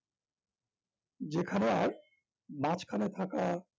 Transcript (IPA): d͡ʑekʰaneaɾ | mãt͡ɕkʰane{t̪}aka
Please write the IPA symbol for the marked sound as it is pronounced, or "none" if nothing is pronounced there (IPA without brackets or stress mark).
t̪ʰ